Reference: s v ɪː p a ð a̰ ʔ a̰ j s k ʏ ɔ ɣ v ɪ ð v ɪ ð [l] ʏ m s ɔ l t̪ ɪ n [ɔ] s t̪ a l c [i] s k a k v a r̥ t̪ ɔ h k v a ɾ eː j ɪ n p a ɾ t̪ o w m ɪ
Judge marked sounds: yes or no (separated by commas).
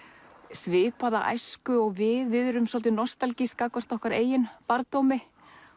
no, yes, yes